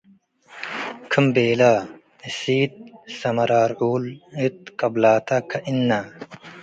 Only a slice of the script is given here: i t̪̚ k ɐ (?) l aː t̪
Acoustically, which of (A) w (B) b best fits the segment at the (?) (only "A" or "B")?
B